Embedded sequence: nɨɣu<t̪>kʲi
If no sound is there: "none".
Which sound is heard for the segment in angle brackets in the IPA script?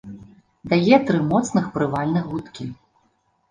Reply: t̪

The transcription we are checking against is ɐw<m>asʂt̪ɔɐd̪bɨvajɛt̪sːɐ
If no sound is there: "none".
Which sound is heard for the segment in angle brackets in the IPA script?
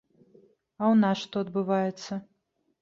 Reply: n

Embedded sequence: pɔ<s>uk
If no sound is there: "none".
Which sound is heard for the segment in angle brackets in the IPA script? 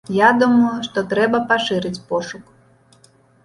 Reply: ʂ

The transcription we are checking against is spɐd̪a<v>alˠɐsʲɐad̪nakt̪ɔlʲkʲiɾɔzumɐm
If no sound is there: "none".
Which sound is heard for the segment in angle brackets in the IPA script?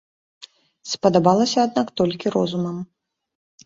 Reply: b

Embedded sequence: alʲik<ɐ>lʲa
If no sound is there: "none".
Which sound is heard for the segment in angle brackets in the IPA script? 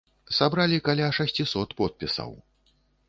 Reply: a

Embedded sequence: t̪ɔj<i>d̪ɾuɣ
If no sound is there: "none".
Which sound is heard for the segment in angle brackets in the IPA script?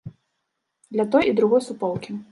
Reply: i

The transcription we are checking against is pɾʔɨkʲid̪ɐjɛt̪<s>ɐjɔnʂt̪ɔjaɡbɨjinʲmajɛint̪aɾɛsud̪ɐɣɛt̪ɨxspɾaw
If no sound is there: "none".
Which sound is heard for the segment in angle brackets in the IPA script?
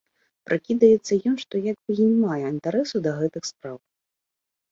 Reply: sː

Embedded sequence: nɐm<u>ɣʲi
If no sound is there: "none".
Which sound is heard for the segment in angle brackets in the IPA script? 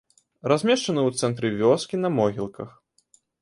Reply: ɔ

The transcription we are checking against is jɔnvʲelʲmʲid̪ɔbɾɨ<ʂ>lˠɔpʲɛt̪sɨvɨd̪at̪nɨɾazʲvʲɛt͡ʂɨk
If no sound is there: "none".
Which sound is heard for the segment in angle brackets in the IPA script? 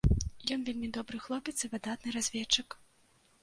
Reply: x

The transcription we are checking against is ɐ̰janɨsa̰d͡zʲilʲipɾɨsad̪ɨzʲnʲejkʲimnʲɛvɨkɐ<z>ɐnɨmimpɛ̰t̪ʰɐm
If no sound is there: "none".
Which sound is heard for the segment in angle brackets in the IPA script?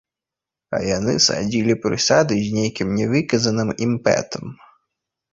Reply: z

